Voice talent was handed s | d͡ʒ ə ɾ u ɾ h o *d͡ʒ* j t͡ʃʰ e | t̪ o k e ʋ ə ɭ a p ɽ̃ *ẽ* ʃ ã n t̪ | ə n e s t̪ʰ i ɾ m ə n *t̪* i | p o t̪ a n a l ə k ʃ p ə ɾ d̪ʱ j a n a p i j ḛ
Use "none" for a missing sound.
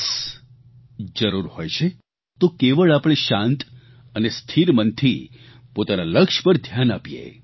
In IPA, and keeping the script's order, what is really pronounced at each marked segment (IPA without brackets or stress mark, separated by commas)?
none, e, t̪ʰ